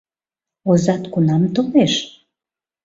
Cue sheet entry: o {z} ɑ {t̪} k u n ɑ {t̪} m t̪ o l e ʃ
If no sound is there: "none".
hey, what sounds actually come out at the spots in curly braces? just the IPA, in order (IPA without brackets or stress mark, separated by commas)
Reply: z, t̪, none